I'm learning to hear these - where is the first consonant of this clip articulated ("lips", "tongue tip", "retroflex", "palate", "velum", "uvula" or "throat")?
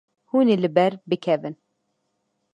throat